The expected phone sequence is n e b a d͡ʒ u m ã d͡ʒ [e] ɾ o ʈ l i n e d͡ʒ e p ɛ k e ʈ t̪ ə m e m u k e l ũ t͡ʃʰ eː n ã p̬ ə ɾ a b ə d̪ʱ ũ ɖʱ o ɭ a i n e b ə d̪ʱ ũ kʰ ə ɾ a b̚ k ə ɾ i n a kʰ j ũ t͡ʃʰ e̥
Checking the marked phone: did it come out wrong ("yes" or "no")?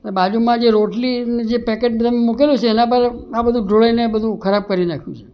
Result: no